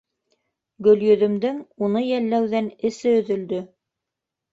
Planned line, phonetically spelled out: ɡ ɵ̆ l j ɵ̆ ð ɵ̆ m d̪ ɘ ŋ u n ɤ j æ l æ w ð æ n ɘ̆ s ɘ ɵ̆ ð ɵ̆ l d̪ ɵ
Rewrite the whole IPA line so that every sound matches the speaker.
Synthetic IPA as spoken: ɡ ɵ̆ l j ɵ̆ ð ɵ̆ m d̪ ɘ ŋ u n ɤ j æ lː æ w ð æ n ɘ̆ s ɘ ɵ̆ ð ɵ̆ l d̪ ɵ